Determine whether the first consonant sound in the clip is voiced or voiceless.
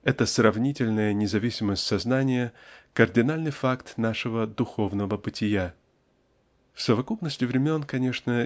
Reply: voiceless